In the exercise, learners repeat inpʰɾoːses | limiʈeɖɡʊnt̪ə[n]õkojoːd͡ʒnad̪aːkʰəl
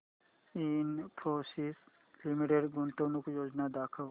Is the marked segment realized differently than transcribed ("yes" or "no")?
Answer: no